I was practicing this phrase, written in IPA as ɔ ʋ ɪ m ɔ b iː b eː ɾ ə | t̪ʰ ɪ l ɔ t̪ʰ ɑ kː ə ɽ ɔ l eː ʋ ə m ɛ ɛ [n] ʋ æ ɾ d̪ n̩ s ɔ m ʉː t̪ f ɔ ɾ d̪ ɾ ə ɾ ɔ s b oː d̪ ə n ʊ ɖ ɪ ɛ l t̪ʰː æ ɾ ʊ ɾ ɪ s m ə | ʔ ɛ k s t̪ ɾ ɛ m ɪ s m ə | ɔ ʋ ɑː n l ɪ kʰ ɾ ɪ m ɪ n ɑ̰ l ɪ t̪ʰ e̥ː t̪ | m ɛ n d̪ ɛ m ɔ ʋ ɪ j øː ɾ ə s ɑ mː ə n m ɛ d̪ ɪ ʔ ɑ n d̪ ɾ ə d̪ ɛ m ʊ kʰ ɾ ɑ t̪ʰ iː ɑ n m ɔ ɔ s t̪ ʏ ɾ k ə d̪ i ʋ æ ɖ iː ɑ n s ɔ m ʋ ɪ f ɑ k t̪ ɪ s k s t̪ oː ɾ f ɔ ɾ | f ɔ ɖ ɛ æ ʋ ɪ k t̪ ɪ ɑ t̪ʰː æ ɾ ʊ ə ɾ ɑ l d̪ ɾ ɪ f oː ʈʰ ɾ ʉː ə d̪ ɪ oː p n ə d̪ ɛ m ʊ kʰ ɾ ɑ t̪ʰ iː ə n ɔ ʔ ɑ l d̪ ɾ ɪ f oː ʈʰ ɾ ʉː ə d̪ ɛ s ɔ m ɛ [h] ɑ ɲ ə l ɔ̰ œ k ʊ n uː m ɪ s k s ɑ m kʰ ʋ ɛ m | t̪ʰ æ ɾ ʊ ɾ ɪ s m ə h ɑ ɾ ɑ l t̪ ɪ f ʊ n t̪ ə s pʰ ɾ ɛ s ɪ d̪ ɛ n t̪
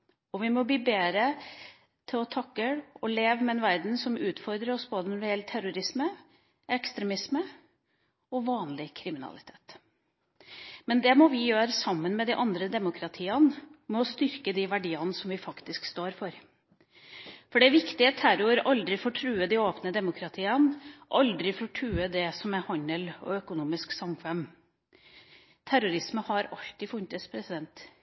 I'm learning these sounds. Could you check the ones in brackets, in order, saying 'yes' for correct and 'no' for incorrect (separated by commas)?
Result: yes, yes